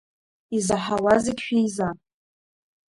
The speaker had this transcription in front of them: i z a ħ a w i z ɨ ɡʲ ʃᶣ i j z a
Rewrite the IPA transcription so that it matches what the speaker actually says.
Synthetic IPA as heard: i z a ħ a w a z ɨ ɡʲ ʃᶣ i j z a

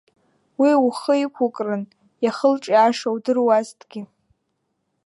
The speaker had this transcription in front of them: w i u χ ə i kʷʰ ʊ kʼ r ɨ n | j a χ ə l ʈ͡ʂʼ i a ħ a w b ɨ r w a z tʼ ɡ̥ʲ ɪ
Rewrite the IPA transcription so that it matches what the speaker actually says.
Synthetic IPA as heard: w i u χ ə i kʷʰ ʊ kʼ r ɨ n | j a χ ə l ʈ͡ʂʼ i a ʂ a w d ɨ r w a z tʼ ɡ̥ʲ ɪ

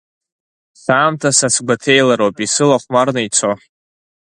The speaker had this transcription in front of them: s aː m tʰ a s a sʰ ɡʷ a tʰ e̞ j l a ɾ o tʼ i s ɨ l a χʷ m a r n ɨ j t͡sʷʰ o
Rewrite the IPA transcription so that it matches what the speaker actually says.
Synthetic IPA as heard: s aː m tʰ a s a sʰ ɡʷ a tʰ e̞ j l a ɾ o pʼ i s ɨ l a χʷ m a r n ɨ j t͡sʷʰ o

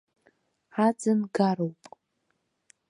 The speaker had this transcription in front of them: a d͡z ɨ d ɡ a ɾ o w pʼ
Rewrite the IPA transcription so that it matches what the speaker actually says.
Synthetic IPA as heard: a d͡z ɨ n ɡ a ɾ o w pʼ

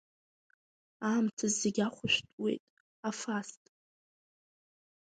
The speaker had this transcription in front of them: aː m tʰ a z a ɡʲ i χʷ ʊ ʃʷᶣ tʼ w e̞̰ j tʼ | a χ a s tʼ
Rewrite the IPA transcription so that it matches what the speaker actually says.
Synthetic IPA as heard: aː m tʰ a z e ɡʲ a χʷ ʊ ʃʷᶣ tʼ w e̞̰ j tʼ | a f a s tʼ

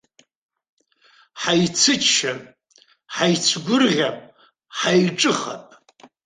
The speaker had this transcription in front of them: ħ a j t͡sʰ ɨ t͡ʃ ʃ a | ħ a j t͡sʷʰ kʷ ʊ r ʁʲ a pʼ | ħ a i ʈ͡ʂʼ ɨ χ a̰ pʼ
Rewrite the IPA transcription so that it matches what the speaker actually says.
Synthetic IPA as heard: ħ a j t͡sʰ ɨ t͡ʃ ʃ a | ħ a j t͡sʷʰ ɡʷ ʊ r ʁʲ a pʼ | ħ a j ʈ͡ʂʼ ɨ χ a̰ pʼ

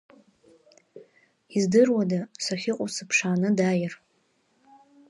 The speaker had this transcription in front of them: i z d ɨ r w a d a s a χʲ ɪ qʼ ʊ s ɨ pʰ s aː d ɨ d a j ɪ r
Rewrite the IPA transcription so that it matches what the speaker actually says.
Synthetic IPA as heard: i z d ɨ r w a d a s a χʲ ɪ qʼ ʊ s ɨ pʰ ʂ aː n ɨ d a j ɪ r

